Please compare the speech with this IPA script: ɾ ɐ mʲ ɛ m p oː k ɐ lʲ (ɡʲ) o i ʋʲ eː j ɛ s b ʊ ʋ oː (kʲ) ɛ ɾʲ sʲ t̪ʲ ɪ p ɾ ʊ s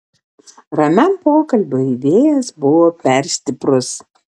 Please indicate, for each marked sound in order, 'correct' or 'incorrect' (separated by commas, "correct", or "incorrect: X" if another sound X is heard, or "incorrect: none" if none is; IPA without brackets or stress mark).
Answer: incorrect: bʲ, incorrect: pʲ